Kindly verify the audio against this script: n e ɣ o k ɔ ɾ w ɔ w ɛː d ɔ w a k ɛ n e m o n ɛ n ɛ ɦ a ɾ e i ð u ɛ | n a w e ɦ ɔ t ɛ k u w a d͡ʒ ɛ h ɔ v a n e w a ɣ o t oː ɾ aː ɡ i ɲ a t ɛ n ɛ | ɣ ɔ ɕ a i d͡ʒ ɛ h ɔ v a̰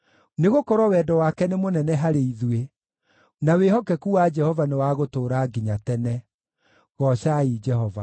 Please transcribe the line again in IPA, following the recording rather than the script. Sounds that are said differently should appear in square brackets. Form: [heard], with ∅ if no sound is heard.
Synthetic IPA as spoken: n e ɣ o k ɔ ɾ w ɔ w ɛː d ɔ w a k ɛ n e m o n ɛ n ɛ ɦ a ɾ e i ð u [e] | n a w e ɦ ɔ [k] ɛ k u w a d͡ʒ ɛ h ɔ v a n e w a ɣ o t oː ɾ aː ɡ i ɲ a t ɛ n ɛ | ɣ ɔ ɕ a i d͡ʒ ɛ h ɔ v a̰